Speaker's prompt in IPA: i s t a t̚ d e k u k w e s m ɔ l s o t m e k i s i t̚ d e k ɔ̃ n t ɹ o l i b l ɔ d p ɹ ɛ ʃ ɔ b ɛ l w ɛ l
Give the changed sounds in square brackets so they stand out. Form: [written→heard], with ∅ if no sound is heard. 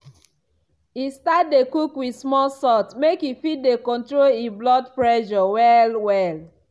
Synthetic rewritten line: i s t a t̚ d e k u k w [e→i] s m ɔ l s [o→ɔ] t m e k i [s→f] i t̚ d e k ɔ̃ n t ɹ o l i b l ɔ d p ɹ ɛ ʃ ɔ [b→w] ɛ l w ɛ l